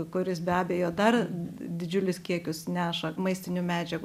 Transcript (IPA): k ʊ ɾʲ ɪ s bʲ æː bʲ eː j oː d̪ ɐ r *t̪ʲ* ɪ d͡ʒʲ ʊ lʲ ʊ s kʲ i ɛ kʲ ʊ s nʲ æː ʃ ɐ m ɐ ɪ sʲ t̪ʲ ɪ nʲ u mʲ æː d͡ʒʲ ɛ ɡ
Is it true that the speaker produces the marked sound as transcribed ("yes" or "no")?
no